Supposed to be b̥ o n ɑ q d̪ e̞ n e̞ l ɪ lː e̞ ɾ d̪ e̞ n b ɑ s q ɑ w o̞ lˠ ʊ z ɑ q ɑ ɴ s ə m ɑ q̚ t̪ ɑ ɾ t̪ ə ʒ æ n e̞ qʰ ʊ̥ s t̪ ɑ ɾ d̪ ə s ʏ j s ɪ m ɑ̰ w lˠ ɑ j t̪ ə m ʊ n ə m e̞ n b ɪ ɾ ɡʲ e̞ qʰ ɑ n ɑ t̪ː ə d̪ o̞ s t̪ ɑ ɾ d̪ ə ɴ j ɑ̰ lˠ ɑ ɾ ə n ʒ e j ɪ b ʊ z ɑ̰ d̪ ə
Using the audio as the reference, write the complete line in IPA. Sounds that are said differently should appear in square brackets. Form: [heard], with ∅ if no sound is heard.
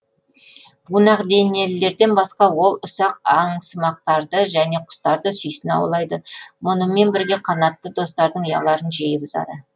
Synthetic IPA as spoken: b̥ [u] n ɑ q d̪ e̞ n e̞ l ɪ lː e̞ ɾ d̪ e̞ n b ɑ s q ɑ w o̞ lˠ ʊ [s] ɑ q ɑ ɴ s ə m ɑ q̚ t̪ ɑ ɾ [d̪] ə ʒ æ n e̞ qʰ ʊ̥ s t̪ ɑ ɾ d̪ ə s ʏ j s ɪ [n] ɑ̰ w lˠ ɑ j [d̪] ə m ʊ n ə m e̞ n b ɪ ɾ ɡʲ e̞ qʰ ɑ n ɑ t̪ː ə d̪ o̞ s t̪ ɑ ɾ d̪ ə ɴ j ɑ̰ lˠ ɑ ɾ ə n ʒ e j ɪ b ʊ z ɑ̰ d̪ ə